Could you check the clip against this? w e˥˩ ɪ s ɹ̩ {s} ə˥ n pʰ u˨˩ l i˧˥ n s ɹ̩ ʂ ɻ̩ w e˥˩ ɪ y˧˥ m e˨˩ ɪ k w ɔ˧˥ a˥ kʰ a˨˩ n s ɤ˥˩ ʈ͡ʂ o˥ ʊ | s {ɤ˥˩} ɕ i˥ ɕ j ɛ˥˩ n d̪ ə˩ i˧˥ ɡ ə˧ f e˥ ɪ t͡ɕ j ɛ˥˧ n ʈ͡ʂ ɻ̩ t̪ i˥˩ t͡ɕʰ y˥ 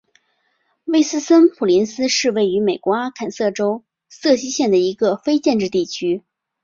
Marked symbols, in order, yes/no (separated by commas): yes, yes